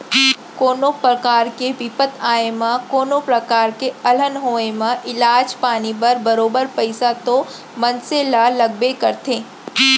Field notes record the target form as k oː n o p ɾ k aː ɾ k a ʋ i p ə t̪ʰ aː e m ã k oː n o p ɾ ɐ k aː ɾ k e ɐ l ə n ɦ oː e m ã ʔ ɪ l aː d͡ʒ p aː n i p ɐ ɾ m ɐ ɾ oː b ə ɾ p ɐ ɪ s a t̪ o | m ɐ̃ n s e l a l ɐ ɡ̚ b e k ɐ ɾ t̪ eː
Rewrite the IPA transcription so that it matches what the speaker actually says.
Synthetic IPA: k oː n o p ɾ k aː ɾ k e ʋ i p ə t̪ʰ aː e m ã k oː n o p ɾ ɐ k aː ɾ k e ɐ l ə n ɦ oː e m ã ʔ ɪ l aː d͡ʒ p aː n i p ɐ ɾ b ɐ ɾ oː b ə ɾ p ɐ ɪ s a t̪ o | m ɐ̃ n s e l a l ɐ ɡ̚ b e k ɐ ɾ t̪ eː